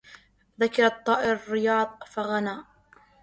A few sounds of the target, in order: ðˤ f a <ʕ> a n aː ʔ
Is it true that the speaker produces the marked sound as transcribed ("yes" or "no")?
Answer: no